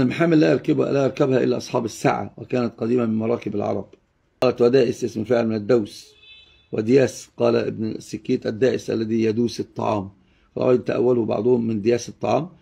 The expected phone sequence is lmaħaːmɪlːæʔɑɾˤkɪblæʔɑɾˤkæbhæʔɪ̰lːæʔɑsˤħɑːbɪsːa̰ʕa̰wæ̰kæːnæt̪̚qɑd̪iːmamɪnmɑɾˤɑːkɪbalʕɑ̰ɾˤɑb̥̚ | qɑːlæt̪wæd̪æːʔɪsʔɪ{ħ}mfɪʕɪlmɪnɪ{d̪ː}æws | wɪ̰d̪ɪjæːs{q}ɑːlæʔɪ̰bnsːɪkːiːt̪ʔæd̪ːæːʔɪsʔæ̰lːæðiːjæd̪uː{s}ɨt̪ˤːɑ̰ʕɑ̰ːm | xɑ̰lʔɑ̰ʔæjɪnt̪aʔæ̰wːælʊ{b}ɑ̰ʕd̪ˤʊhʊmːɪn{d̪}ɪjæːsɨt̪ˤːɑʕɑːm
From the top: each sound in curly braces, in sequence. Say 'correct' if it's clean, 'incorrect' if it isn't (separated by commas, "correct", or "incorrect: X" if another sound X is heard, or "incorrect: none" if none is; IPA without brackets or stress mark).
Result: incorrect: s, correct, correct, correct, correct, correct